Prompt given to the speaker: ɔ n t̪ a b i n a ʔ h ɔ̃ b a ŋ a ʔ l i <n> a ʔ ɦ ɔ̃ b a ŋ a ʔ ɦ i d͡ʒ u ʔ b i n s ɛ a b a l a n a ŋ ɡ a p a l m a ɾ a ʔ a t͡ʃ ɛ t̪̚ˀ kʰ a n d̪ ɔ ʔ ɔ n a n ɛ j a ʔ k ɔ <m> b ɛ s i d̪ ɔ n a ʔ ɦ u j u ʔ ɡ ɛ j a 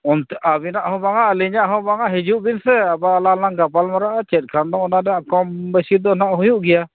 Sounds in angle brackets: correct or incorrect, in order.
incorrect: ɲ, correct

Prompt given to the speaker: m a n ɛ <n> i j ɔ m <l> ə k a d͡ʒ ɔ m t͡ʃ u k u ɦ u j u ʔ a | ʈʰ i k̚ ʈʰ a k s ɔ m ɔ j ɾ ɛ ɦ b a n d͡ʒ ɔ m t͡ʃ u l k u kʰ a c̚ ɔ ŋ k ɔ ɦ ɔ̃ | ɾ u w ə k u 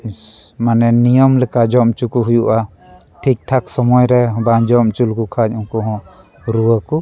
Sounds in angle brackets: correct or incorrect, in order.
correct, correct

